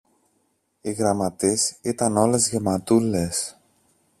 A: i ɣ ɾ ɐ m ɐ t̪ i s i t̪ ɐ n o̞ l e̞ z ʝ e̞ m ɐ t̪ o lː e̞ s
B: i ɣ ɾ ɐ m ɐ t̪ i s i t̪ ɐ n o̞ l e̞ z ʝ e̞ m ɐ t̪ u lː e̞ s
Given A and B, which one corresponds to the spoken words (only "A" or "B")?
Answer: B